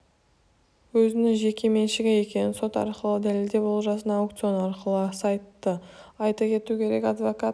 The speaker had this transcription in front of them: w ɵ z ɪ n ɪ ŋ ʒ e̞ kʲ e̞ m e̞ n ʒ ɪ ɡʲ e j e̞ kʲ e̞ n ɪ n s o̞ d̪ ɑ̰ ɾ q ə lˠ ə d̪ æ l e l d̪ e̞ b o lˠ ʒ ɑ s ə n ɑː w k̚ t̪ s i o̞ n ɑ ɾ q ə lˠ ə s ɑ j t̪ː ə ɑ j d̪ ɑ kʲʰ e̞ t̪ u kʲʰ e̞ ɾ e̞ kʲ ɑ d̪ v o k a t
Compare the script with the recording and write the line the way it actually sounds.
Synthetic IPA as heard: w ɵ z ɪ n ɪ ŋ ʒ e̞ kʲ e̞ m e̞ n ʃ ɪ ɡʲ e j e̞ kʲ e̞ n ɪ n s o̞ t̪ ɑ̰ ɾ q ə lˠ ə d̪ æ l e l d̪ e̞ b o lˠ ʒ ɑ s ə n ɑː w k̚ t̪ s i o̞ n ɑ ɾ q ə lˠ ə s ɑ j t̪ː ə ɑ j t̪ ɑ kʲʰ e̞ t̪ u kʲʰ e̞ ɾ e̞ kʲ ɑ d̪ v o k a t